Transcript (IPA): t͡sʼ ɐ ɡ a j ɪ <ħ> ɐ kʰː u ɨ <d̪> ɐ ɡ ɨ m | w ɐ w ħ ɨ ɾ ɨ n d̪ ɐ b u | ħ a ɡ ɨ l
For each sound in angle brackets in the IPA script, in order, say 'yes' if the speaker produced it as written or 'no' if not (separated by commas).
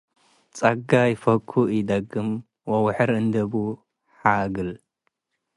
no, yes